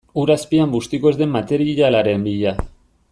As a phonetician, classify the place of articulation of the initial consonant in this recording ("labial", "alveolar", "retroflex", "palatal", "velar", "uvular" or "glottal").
alveolar